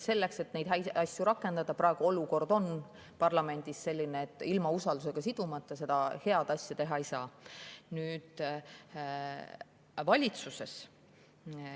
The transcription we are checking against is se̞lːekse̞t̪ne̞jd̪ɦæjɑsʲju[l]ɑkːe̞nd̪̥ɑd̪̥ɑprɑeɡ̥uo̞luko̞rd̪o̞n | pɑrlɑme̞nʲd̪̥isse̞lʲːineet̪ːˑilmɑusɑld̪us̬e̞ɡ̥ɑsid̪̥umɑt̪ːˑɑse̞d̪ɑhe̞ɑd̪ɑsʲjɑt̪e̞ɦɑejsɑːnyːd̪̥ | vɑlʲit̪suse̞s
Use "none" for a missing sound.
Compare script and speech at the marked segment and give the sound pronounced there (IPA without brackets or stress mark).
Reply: ɾ